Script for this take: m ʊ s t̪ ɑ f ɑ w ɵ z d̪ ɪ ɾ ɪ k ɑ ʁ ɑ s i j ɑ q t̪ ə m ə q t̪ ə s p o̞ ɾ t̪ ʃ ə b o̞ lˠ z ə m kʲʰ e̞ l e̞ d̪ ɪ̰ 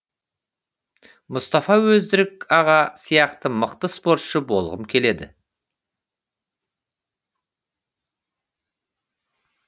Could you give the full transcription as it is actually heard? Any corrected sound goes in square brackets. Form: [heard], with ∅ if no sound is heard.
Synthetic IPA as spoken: m ʊ s t̪ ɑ f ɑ w ɵ z d̪ ɪ ɾ ɪ k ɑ ʁ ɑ s i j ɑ q t̪ ə m ə q t̪ ə s p o̞ ɾ t̪ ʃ ə b o̞ lˠ [ʁ] ə m kʲʰ e̞ l e̞ d̪ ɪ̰